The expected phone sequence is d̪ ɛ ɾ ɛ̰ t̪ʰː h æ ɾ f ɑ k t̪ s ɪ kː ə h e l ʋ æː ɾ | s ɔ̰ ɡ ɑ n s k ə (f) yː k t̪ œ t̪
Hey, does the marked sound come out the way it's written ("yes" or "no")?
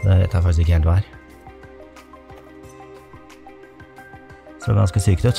no